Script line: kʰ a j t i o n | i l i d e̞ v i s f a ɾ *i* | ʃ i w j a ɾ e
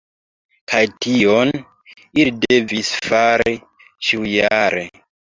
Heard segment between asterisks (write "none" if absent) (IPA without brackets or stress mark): i